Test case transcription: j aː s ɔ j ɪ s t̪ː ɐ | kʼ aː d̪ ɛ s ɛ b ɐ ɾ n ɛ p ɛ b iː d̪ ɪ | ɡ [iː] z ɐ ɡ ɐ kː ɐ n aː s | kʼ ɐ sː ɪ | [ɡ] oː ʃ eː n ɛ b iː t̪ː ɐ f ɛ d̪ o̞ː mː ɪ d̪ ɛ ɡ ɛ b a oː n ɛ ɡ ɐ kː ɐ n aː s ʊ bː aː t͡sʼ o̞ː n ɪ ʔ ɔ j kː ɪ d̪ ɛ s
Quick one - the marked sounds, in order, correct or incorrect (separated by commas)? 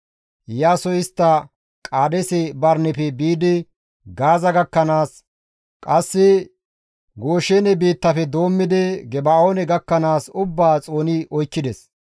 incorrect, correct